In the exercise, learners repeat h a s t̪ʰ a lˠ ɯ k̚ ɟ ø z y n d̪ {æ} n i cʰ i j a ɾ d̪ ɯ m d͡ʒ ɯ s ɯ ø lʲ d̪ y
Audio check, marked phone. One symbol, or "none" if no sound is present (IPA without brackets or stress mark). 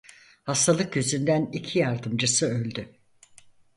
æ